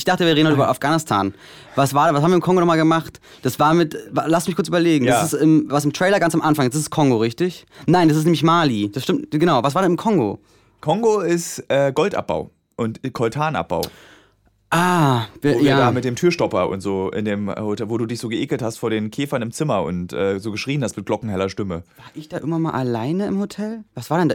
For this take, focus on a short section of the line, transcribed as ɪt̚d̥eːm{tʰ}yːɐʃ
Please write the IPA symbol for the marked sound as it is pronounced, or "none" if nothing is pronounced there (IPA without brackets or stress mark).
tʰ